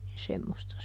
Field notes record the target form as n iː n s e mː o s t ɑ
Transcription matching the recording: n i n s e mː o s t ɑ